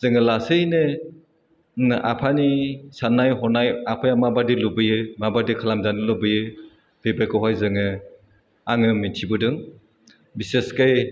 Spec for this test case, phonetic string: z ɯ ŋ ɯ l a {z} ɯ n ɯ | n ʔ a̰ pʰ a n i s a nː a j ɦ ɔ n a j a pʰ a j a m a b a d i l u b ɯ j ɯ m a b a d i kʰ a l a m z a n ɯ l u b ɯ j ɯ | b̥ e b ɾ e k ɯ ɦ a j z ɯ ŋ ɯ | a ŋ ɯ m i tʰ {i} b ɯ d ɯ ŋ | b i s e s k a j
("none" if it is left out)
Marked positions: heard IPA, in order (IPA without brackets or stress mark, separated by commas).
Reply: s, i